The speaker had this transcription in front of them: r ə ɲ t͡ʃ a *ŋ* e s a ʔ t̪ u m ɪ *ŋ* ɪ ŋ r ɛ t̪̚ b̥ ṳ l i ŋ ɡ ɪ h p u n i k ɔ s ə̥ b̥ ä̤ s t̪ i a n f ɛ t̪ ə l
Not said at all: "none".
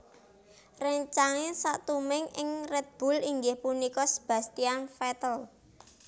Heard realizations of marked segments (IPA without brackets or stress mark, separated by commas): ŋ, ŋ